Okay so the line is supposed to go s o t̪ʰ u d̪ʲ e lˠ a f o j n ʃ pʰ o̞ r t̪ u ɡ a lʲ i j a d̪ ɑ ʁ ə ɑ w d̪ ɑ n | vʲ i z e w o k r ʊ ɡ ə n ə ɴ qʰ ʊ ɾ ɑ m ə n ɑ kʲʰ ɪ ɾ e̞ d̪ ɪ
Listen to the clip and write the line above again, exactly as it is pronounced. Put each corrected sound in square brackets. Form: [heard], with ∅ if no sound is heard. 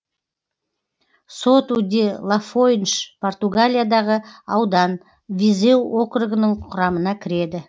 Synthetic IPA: s o [t̪] u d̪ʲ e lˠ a f o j n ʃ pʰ o̞ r t̪ u ɡ a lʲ i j a d̪ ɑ ʁ ə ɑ w d̪ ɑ n | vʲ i z e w o k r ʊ ɡ ə n ə ɴ qʰ ʊ ɾ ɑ m ə n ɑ kʲʰ ɪ ɾ e̞ d̪ ɪ